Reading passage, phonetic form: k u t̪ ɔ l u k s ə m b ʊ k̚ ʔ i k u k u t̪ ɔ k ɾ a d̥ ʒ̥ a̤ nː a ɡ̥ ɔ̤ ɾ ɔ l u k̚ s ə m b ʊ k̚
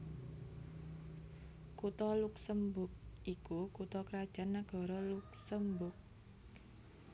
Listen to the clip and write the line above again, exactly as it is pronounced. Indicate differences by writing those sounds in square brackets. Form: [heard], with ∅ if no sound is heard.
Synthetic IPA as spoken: k u t̪ ɔ l u k s ə m b ʊ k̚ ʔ i k u k u t̪ ɔ k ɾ a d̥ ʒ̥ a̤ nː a ɡ̥ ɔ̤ ɾ ɔ l u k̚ s ə m b ʊ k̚